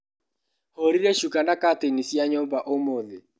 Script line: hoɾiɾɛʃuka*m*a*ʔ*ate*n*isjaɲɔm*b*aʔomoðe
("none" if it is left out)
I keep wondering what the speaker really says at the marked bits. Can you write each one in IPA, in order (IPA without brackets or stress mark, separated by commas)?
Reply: n, k, n, b